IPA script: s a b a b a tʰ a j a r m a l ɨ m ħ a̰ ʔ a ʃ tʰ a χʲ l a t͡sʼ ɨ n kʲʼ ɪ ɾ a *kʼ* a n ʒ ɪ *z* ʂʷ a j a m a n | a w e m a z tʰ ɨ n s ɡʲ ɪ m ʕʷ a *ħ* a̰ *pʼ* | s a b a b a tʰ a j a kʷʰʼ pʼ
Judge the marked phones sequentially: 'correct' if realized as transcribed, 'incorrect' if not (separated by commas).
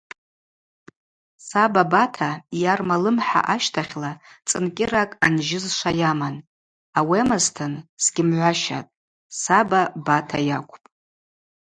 correct, correct, incorrect, incorrect